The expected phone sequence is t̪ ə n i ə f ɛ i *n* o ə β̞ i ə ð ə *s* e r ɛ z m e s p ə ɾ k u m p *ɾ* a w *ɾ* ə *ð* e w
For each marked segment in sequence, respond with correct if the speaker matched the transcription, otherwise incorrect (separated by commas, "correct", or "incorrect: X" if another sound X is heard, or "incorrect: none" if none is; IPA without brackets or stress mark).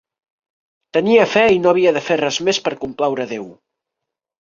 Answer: correct, incorrect: f, incorrect: l, correct, correct